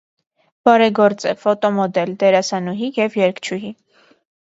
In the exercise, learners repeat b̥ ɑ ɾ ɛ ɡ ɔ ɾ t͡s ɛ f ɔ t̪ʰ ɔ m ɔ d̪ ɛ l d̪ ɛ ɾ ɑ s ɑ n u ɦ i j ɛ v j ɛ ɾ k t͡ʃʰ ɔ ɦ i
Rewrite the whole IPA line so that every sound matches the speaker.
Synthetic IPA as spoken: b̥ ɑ ɾ ɛ ɡ ɔ ɾ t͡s ɛ f ɔ t̪ ɔ m ɔ d̪ ɛ l d̪ ɛ ɾ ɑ s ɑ n u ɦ i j ɛ v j ɛ ɾ k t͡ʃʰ u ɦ i